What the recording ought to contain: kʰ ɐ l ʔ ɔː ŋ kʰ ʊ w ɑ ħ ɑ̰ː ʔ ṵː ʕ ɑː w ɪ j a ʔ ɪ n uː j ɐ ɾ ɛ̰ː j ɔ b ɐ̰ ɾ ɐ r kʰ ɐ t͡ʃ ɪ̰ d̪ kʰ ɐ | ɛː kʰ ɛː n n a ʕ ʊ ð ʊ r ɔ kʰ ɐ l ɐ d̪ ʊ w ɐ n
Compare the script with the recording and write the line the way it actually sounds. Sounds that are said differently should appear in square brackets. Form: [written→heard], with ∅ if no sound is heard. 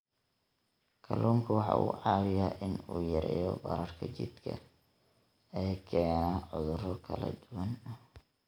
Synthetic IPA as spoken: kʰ ɐ l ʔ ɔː ŋ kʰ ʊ w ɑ ħ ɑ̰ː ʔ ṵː ʕ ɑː w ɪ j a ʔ ɪ n uː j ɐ ɾ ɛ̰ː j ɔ b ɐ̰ ɾ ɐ r kʰ ɐ t͡ʃ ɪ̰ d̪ kʰ ɐ | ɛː kʰ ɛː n n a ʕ ʊ ð ʊ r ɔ kʰ ɐ l ɐ d̪ ʊ w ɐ n